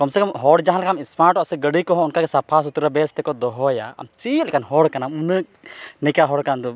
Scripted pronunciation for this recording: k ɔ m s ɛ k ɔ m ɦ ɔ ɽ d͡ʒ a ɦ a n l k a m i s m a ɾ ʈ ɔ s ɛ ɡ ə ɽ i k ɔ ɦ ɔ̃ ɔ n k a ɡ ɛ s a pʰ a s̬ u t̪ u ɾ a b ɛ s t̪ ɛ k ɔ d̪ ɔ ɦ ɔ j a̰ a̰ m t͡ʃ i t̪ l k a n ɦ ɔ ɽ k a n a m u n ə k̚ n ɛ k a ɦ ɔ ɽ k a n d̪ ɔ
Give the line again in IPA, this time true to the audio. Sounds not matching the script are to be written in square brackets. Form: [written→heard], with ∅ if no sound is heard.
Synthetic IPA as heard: k ɔ m s ɛ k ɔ m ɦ ɔ ɽ d͡ʒ a ɦ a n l k a m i s m a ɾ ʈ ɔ s ɛ ɡ ə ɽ i k ɔ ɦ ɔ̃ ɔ n k a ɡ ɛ s a pʰ a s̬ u t̪ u ɾ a b ɛ s t̪ ɛ k ɔ d̪ ɔ ɦ ɔ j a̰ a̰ m t͡ʃ i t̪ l k a n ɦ ɔ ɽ k a n a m u n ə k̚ n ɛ k a ɦ ɔ ɽ k a n d̪ ɔ

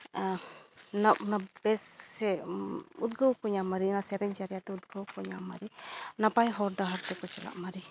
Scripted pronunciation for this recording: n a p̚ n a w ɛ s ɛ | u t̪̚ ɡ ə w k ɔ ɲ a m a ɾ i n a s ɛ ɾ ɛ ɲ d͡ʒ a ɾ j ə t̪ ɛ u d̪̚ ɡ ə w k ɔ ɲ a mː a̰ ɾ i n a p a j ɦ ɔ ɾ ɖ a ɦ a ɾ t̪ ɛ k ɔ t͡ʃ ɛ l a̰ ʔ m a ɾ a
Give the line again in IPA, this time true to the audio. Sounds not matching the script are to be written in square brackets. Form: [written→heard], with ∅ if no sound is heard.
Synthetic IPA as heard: n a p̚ n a [w→b] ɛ s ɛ | u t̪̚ ɡ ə w k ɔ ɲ a m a ɾ i n a s ɛ ɾ ɛ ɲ d͡ʒ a ɾ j [ə→a] t̪ ɛ u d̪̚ ɡ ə w k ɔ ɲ a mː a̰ ɾ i n a p a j ɦ ɔ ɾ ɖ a ɦ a ɾ t̪ ɛ k ɔ t͡ʃ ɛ l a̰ ʔ m a ɾ [a→i]

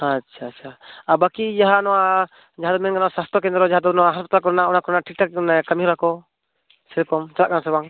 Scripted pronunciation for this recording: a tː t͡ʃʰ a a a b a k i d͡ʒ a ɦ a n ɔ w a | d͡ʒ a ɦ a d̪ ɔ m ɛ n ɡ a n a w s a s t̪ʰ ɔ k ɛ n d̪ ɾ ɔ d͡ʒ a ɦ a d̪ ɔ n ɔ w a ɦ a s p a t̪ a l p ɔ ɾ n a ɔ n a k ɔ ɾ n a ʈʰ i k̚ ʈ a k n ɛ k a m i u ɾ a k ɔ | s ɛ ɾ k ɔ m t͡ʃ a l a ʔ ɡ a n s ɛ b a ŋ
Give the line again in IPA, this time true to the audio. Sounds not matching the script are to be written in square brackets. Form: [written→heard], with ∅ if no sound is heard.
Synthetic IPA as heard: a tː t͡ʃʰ a a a b a k i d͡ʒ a ɦ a n ɔ w a | d͡ʒ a ɦ a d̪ ɔ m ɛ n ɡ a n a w s a s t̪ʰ ɔ k ɛ n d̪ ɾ ɔ d͡ʒ a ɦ a d̪ ɔ n ɔ w a ɦ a s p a t̪ a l [p→k] ɔ ɾ n a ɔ n a k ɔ ɾ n a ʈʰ i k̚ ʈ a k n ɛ k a m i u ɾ a k ɔ | s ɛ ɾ k ɔ m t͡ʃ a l a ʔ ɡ a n s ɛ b a ŋ

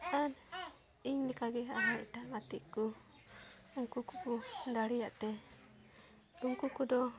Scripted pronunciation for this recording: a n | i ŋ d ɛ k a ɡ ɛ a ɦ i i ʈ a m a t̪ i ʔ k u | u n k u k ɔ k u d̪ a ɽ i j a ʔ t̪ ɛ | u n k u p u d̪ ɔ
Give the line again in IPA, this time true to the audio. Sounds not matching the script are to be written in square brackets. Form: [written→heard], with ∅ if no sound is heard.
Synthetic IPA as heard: a n | i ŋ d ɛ k a ɡ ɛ a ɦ [i→a] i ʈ a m a t̪ i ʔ k u | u [n→ŋ] k u k [ɔ→u] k u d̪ a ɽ i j a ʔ t̪ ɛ | u [n→ŋ] k u [p→k] u d̪ ɔ

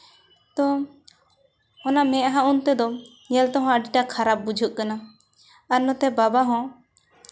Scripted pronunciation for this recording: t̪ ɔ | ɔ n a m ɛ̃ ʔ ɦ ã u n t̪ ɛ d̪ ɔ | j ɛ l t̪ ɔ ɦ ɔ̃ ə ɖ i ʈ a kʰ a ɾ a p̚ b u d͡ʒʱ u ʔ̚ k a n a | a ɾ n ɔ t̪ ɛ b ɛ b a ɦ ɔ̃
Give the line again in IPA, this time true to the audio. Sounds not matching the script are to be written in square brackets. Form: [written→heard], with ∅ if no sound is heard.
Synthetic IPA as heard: t̪ ɔ | ɔ n a m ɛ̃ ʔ ɦ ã u n t̪ ɛ d̪ ɔ | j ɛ l t̪ ɔ ɦ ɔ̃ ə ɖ i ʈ a kʰ a ɾ a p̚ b u d͡ʒʱ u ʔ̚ k a n a | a ɾ n ɔ t̪ ɛ b [ɛ→a] b a ɦ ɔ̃

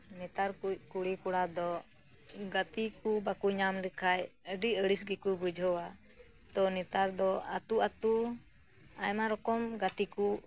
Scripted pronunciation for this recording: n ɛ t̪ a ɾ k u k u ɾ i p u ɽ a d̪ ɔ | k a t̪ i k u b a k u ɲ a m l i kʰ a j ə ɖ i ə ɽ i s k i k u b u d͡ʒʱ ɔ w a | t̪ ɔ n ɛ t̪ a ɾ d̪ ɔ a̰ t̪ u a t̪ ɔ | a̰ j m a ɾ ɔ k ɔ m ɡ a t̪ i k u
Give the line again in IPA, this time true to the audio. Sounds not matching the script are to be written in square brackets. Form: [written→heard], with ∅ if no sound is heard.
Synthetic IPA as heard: n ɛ t̪ a ɾ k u k u [ɾ→ɽ] i [p→k] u ɽ a d̪ ɔ | [k→ɡ] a t̪ i k u b a k u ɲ a m l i kʰ a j ə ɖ i ə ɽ i s [k→ɡ] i k u b u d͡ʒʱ ɔ w a | t̪ ɔ n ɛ t̪ a ɾ d̪ ɔ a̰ t̪ u a t̪ [ɔ→u] | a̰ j m a ɾ ɔ k ɔ m ɡ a t̪ i k u

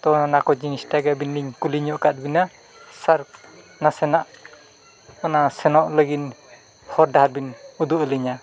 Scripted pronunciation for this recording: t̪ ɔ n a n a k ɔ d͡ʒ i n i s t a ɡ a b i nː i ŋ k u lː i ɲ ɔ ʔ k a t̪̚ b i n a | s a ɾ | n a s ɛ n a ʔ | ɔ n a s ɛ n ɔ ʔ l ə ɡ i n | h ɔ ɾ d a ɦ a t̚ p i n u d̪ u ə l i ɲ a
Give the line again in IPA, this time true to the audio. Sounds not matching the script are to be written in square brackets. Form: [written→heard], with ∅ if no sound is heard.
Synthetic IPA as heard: t̪ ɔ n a n a k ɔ d͡ʒ i n i s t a ɡ a b i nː i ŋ k u [lː→l] i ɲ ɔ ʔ k a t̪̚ b i n a | s a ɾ | n a s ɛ n a ʔ | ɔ n a s ɛ n ɔ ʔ l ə ɡ i n | h ɔ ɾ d a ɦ a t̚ [p→b] i n u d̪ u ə l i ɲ a

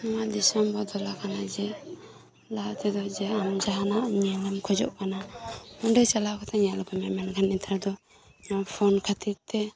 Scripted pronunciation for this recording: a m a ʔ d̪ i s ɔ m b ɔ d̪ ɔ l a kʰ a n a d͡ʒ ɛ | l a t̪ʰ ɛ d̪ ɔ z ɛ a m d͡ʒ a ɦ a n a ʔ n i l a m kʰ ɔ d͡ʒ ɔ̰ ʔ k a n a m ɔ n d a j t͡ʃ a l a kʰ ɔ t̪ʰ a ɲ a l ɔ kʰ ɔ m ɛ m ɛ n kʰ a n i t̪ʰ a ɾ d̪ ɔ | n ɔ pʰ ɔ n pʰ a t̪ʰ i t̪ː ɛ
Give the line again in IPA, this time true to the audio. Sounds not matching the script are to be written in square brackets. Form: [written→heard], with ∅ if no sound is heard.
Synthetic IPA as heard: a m a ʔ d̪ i s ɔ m b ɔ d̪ ɔ l a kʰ a n a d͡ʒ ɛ | l a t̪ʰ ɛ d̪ ɔ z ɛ a m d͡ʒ a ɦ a n a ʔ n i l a m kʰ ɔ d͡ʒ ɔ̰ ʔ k a n a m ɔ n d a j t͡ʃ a l a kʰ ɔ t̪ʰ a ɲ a l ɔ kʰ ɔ m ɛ m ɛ n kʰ a n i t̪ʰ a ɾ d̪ ɔ | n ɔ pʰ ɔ n [pʰ→kʰ] a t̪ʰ i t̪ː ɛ

